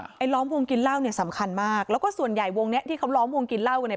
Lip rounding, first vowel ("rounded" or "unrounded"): unrounded